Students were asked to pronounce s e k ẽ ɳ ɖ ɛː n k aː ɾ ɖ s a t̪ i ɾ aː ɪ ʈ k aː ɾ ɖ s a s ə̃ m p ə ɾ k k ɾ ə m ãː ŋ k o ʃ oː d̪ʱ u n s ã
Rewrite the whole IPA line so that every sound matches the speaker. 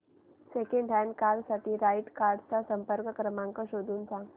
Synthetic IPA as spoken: s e k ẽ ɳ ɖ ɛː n k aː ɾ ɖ s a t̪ i ɾ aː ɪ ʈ k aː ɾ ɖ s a s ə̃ m p ə ɾ k k ɾ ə m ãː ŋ k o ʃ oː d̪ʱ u n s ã